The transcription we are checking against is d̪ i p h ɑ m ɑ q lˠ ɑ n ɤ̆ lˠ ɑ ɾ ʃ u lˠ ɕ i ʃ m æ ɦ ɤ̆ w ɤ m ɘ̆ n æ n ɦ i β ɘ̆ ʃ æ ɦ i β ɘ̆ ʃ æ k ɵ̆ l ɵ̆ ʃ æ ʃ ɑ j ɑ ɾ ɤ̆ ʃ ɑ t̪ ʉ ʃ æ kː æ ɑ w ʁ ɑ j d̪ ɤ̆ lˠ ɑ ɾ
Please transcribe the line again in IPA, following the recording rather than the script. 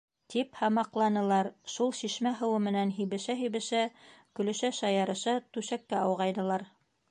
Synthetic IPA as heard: t̪ i p h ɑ m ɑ q lˠ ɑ n ɤ̆ lˠ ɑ ɾ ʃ u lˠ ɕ i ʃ m æ ɦ ɤ̆ w ɤ m ɘ̆ n æ n ɦ i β ɘ̆ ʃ æ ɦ i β ɘ̆ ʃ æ k ɵ̆ l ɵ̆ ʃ æ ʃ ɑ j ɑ ɾ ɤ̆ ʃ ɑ t̪ ʉ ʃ æ kː æ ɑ w ʁ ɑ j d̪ ɤ̆ lˠ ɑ ɾ

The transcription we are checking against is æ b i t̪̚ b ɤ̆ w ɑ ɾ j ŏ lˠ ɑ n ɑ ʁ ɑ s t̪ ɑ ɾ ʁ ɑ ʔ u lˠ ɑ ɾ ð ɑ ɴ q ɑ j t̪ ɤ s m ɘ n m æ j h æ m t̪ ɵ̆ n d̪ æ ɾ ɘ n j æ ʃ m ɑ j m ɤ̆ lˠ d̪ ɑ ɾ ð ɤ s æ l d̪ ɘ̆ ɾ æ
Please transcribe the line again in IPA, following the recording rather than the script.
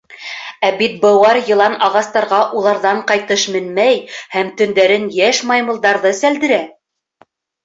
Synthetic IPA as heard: æ b i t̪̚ b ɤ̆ w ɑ ɾ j ɤ̆ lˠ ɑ n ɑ ʁ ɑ s t̪ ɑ ɾ ʁ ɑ ʔ u lˠ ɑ ɾ ð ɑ ɴ q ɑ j t̪ ɤ ʃ m ɘ n m æ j h æ m t̪ ɵ̆ n d̪ æ ɾ ɘ n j æ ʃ m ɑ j m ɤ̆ lˠ d̪ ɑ ɾ ð ɤ s æ l d̪ ɘ̆ ɾ æ

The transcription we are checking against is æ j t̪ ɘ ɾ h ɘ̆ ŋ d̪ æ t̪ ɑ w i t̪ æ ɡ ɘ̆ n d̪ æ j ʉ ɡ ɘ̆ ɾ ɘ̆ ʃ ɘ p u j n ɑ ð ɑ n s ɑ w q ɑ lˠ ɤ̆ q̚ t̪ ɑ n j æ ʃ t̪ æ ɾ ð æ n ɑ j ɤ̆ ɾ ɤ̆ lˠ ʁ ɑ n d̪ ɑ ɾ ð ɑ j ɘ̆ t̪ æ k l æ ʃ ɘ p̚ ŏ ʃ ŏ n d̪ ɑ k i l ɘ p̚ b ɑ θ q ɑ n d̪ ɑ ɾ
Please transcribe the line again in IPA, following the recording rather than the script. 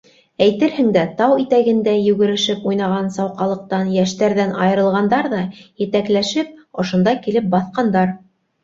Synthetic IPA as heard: æ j t̪ ɘ ɾ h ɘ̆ ŋ d̪ æ t̪ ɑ w i t̪ æ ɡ ɘ̆ n d̪ æ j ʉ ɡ ɘ̆ ɾ ɘ̆ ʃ ɘ p u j n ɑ ʁ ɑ n s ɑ w q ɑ lˠ ɤ̆ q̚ t̪ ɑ n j æ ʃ t̪ æ ɾ ð æ n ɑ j ɤ̆ ɾ ɤ̆ lˠ ʁ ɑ n d̪ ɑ ɾ ð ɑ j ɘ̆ t̪ æ k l æ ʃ ɘ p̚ ŏ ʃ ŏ n d̪ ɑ k i l ɘ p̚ b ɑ θ q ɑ n d̪ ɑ ɾ

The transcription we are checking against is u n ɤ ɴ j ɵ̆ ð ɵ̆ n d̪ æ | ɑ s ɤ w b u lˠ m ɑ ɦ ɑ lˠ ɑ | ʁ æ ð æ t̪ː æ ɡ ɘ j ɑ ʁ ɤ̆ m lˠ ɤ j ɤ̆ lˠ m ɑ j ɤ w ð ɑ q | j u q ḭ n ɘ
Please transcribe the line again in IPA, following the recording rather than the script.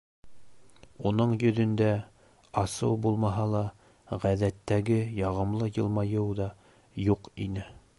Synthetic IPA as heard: u n ɤ ɴ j ɵ̆ ð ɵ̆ n d̪ æ | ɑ s ɤ w b u lˠ m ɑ ɦ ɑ lˠ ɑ | ʁ æ ð æ t̪ː æ ɡ ɘ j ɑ ʁ ɤ̆ m lˠ ɤ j ɤ̆ lˠ m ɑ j ɤ w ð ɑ | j u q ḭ n ɘ

